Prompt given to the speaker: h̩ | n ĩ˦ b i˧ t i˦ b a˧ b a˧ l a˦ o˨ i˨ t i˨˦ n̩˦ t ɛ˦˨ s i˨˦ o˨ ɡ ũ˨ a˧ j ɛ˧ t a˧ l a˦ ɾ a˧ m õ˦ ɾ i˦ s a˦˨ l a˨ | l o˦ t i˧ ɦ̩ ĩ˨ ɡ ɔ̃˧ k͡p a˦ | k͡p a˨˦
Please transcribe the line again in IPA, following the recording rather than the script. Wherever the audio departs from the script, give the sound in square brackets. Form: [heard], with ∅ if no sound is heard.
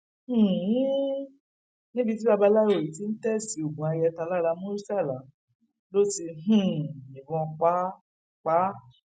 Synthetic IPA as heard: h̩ | n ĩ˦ b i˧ t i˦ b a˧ b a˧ l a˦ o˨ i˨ t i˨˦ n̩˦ t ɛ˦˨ s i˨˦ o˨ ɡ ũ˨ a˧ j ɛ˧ t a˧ l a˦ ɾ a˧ m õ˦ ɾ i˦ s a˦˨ l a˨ | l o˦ t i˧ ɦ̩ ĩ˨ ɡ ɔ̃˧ k͡p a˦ | k͡p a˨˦